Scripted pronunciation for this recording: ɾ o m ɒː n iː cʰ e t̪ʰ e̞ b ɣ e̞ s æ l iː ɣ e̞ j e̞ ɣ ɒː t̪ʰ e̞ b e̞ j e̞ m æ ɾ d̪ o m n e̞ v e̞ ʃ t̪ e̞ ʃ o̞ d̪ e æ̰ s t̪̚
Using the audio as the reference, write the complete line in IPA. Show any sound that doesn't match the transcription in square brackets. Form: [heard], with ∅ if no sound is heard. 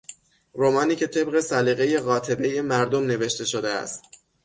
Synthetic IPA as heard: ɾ o m ɒː n iː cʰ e t̪ʰ e̞ b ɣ e̞ s æ l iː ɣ e̞ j e̞ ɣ ɒː t̪ʰ e̞ b e̞ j e̞ m æ ɾ d̪ o m n e̞ v e̞ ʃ t̪ e̞ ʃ o̞ d̪ e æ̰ s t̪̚